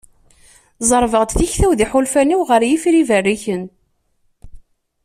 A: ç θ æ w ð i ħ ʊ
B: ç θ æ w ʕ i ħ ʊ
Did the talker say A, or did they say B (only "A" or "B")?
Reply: A